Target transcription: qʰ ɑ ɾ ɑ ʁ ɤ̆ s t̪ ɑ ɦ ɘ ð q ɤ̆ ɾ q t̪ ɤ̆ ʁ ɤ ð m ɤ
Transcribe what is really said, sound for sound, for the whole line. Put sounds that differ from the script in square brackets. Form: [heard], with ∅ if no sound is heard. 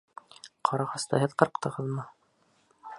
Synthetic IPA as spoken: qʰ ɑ ɾ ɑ ʁ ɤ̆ s t̪ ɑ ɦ ɘ ð q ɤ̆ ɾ q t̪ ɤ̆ ʁ ɤ ð m ɤ